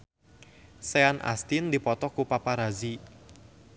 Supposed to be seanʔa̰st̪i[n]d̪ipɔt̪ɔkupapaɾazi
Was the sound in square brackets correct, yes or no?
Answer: yes